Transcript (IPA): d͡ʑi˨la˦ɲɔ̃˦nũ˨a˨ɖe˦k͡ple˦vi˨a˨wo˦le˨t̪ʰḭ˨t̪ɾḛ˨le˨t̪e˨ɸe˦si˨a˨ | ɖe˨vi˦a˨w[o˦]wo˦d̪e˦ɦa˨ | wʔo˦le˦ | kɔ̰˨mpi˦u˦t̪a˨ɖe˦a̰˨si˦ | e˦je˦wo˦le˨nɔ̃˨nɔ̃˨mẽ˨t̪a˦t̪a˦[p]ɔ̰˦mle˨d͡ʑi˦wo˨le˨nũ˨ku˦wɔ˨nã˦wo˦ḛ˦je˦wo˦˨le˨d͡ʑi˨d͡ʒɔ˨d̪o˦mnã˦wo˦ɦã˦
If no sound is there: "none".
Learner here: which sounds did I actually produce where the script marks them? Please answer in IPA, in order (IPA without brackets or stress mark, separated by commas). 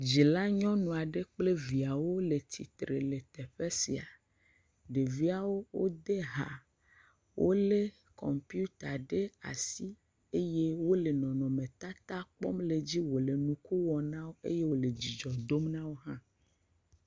o˦, k͡p